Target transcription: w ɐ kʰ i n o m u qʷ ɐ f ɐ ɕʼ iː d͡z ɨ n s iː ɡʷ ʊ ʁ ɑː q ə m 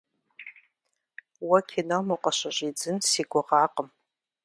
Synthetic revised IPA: w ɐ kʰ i n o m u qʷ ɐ ɕ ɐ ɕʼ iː d͡z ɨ n s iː ɡʷ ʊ ʁ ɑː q ə m